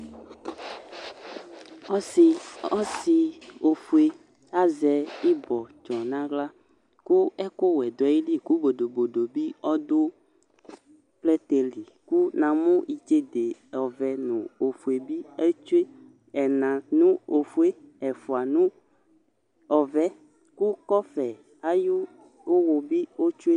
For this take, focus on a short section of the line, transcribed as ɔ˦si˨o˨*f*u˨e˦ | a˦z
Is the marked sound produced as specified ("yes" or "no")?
yes